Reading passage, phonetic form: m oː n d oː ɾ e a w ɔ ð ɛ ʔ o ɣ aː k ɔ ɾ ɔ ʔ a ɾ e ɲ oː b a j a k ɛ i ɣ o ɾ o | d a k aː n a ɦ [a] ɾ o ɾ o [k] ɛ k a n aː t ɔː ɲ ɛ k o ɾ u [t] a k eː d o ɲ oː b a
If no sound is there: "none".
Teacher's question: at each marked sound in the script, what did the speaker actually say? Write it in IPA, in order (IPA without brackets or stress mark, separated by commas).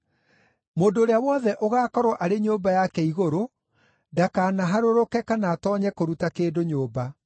a, k, t